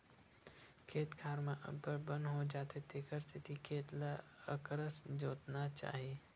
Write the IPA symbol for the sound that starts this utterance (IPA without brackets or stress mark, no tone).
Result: kʰ